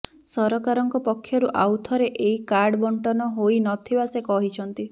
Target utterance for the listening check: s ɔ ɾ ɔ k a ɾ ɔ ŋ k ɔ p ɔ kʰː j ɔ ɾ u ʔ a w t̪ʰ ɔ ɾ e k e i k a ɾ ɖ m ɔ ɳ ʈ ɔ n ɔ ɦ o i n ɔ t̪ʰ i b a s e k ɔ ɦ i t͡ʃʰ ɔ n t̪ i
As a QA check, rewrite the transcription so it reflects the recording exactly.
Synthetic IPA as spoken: s ɔ ɾ ɔ k a ɾ ɔ ŋ k ɔ p ɔ kʰː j ɔ ɾ u ʔ a w t̪ʰ ɔ ɾ e ʔ e i k a ɾ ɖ b ɔ ɳ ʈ ɔ n ɔ ɦ o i n ɔ t̪ʰ i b a s e k ɔ ɦ i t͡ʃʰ ɔ n t̪ i